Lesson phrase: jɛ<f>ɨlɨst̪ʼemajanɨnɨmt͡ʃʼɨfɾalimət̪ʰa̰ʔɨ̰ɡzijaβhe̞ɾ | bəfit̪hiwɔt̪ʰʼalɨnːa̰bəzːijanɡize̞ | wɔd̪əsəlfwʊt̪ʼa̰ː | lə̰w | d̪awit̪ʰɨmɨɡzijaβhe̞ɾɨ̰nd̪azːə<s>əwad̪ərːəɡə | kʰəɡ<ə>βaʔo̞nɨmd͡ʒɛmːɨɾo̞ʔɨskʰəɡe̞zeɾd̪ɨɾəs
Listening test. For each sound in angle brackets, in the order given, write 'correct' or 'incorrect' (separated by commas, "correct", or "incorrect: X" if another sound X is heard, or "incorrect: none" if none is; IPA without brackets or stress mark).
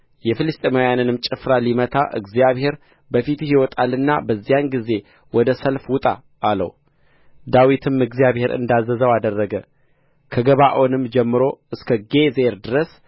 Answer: correct, incorrect: z, correct